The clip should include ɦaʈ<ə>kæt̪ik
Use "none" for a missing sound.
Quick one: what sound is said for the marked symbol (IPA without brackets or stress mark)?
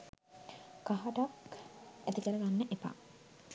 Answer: a